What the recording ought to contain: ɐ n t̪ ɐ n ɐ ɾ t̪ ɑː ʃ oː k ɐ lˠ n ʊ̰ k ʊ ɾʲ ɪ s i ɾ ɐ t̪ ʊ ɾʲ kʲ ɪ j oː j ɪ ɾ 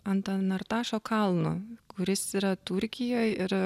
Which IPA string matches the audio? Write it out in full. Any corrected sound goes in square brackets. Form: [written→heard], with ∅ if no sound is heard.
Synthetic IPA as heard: ɐ n t̪ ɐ n ɐ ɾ t̪ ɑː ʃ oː k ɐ lˠ n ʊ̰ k ʊ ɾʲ ɪ s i ɾ ɐ t̪ ʊ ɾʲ kʲ ɪ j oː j ɪ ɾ